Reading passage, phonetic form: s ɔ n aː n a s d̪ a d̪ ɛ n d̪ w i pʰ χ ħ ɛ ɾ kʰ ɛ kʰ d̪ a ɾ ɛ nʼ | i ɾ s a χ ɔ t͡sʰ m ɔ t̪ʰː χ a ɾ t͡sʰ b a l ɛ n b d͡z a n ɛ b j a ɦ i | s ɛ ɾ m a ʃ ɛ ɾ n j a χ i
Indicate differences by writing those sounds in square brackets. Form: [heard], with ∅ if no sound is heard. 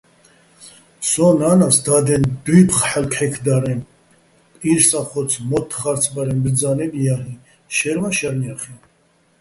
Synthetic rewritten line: s ɔ n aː n a s d̪ a d̪ ɛ n d̪ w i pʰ χ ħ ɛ [l] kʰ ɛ kʰ d̪ a ɾ ɛ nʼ | i ɾ s a χ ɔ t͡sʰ m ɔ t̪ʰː χ a ɾ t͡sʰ b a [ɾ] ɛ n b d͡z a n ɛ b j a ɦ i | [ʃ] ɛ ɾ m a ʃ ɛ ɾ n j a χ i